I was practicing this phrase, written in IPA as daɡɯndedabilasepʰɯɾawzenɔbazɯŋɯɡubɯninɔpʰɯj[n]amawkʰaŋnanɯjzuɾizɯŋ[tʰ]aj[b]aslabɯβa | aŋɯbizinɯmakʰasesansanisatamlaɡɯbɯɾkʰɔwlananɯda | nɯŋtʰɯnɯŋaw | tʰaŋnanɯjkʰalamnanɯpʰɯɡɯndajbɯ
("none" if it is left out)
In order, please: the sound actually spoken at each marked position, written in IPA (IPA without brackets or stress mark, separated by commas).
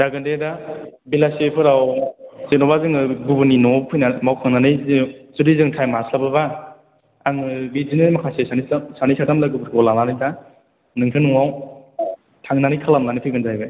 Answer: n, tʰ, m